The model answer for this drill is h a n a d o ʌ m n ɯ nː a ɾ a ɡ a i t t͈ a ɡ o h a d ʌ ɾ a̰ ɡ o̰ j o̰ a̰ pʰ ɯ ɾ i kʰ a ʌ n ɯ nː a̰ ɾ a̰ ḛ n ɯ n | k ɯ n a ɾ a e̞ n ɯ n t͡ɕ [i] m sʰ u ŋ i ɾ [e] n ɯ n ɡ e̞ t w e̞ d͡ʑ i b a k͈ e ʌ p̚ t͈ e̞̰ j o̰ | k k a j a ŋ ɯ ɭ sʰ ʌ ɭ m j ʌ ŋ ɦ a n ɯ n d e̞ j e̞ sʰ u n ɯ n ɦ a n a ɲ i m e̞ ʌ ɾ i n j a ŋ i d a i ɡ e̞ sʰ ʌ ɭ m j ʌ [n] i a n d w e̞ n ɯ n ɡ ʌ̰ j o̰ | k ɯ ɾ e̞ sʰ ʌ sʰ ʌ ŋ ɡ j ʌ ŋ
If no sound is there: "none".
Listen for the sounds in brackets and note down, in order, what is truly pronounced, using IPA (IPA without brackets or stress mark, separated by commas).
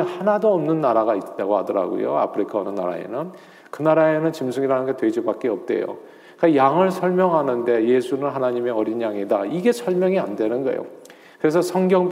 i, a, ŋ